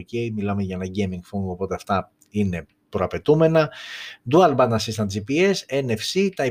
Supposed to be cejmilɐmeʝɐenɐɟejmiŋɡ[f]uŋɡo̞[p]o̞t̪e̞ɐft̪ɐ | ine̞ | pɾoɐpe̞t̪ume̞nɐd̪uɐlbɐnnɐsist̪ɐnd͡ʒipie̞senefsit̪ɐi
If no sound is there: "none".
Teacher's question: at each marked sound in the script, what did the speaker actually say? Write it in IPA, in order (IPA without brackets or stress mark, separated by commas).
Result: f, p